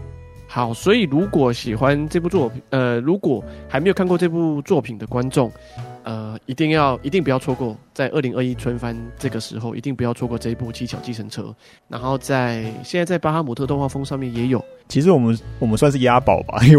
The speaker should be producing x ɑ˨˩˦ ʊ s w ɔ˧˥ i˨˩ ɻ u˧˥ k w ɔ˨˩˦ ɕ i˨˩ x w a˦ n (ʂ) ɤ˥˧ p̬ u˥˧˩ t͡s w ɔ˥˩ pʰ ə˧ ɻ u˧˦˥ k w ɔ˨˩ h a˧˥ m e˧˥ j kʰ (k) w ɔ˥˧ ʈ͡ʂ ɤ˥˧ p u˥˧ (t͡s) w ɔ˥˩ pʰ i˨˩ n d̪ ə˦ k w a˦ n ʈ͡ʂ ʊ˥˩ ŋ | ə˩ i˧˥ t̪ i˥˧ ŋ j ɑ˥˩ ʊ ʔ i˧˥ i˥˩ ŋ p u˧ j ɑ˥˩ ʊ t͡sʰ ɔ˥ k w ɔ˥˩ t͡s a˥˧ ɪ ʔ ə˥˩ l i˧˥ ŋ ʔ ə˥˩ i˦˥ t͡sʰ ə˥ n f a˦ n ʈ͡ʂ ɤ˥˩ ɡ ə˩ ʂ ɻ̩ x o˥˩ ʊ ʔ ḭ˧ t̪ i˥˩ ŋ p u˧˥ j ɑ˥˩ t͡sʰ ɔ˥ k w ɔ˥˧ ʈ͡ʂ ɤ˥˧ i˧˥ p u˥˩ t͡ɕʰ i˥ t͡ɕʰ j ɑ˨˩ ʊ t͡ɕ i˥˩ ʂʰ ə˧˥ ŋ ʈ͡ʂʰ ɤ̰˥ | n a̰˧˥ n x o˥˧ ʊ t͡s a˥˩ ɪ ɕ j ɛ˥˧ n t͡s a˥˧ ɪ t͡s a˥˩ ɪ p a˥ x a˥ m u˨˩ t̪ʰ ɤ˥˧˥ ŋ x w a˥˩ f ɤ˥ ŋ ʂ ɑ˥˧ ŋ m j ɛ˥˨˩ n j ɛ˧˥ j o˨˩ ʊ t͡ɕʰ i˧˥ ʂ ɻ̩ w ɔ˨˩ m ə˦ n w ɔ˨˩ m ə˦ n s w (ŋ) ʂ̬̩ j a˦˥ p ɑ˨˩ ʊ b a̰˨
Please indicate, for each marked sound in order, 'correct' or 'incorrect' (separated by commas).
incorrect, correct, correct, incorrect